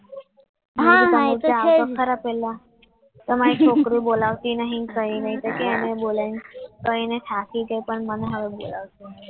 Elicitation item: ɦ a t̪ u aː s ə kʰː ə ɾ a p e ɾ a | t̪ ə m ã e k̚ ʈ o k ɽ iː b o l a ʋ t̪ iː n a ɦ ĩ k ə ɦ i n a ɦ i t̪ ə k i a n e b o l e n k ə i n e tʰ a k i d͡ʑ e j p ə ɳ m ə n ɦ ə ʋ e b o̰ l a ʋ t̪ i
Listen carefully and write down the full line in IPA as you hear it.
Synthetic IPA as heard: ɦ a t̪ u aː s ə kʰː ə ɾ a p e l a | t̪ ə m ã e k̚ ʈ o k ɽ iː b o l a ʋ t̪ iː n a ɦ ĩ k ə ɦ i n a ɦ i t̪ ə k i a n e b o l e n k ə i n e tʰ a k i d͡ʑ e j p ə ɳ m ə n ɦ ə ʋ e b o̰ l a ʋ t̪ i